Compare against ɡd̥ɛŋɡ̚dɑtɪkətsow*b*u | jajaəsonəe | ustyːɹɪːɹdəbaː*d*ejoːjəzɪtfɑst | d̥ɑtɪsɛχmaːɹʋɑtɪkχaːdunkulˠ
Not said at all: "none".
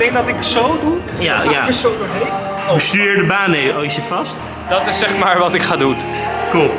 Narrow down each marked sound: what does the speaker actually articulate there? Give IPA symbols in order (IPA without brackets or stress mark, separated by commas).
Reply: d, n